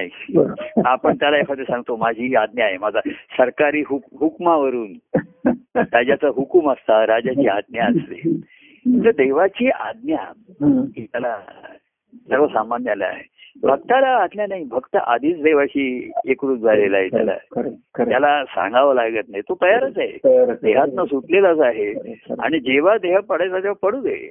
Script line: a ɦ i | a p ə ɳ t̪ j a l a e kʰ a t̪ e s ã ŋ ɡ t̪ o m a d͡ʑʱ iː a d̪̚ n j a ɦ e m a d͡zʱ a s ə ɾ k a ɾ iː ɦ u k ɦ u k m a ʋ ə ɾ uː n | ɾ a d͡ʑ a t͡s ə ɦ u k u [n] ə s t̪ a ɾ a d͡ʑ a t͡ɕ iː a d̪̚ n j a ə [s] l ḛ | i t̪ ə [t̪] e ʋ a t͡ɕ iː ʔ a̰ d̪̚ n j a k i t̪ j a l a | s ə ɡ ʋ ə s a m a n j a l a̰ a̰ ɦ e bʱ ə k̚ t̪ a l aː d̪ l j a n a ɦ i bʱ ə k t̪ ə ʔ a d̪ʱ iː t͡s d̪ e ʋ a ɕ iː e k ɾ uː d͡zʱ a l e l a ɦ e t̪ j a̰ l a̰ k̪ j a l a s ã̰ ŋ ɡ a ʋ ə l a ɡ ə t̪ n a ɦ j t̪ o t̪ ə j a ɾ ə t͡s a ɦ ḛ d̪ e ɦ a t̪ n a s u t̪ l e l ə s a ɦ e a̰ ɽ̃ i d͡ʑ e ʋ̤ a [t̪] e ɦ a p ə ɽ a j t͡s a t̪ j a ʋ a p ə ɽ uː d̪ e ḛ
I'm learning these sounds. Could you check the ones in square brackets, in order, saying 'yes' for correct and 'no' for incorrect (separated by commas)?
no, yes, no, no